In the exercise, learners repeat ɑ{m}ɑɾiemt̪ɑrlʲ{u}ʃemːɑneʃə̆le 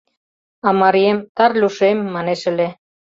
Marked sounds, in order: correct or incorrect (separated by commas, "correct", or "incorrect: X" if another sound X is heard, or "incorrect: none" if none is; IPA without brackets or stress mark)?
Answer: correct, correct